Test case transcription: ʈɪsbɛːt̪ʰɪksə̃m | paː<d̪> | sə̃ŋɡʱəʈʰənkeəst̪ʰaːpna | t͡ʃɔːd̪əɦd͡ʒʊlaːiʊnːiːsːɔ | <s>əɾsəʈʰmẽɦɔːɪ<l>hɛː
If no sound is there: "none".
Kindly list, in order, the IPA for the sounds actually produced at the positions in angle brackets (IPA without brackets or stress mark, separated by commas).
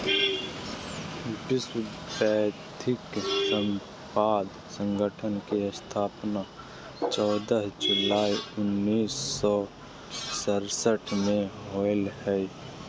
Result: d̪, s, l